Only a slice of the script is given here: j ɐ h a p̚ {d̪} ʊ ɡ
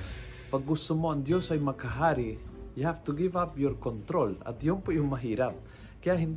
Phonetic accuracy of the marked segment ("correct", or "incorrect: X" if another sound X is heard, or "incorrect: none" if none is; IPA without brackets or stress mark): incorrect: t̪